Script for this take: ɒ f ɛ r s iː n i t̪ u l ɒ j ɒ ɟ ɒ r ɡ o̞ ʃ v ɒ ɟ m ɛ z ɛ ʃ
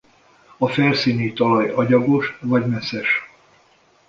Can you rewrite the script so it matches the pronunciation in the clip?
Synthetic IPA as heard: ɒ f ɛ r s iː n i t̪ ɒ l ɒ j ɒ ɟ ɒ ɡ o̞ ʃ v ɒ ɟ m ɛ s ɛ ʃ